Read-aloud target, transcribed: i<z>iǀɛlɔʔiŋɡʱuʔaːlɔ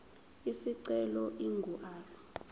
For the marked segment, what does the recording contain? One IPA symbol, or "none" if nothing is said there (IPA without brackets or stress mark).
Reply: s